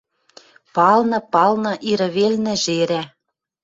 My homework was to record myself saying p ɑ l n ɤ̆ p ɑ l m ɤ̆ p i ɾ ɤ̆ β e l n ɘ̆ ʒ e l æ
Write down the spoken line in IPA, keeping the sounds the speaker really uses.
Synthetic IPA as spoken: p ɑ l n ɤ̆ p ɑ l n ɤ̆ ʔ i ɾ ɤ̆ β e l n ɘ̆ ʒ e ɾ æ

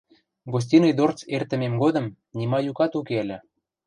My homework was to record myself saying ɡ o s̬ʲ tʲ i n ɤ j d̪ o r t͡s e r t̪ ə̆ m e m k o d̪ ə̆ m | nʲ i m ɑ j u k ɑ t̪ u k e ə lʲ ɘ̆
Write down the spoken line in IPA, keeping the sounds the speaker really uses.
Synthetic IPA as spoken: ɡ o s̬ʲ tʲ i n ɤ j d̪ o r t͡s e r t̪ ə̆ m e m ɡ o d̪ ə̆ m | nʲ i m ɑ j u k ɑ t̪ u k e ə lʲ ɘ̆

